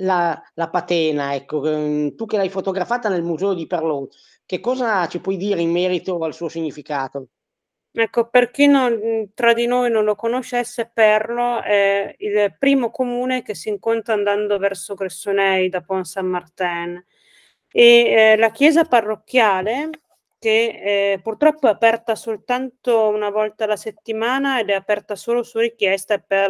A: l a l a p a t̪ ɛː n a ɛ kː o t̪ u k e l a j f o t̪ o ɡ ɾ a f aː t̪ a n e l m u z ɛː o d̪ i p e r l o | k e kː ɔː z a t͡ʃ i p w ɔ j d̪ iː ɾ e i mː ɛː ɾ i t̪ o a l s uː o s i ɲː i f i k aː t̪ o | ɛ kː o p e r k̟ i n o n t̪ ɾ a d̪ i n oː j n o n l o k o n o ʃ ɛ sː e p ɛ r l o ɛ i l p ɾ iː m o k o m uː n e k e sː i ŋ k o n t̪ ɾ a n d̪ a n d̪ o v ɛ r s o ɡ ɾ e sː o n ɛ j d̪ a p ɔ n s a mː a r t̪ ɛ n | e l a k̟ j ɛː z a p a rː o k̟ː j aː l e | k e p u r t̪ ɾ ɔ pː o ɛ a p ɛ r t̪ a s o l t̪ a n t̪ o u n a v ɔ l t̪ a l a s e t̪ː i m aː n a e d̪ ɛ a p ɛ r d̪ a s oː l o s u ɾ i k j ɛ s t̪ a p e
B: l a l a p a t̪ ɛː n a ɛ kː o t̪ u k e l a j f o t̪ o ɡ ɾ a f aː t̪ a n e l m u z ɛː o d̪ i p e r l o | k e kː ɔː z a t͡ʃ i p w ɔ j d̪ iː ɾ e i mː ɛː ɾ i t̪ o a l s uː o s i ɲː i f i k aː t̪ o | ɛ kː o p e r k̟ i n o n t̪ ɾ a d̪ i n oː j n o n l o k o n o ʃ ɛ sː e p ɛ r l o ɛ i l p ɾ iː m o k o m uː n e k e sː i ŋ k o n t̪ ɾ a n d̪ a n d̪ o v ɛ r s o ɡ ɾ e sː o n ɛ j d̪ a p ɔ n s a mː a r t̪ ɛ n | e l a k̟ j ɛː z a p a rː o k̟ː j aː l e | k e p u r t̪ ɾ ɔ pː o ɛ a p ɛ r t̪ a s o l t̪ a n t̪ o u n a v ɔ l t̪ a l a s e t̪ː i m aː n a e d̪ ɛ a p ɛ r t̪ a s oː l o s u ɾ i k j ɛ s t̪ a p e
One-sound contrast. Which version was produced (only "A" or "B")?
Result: B